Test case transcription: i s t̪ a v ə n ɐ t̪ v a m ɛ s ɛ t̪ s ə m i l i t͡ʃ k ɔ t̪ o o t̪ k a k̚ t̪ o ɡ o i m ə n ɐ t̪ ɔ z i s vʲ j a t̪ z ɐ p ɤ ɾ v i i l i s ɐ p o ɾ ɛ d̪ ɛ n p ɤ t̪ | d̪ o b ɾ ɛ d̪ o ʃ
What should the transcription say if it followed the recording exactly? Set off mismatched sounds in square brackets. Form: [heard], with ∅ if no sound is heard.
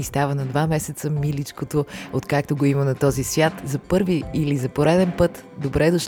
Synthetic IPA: i s t̪ a v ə n ɐ [d̪] v a m ɛ s ɛ t̪ s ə m i l i t͡ʃ k [o] t̪ o o t̪ k a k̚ t̪ o ɡ o i m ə n ɐ t̪ ɔ z i s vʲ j a t̪ z ɐ p ɤ ɾ v i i l i [z] ɐ p o ɾ ɛ d̪ ɛ n p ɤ t̪ | d̪ o b ɾ ɛ d̪ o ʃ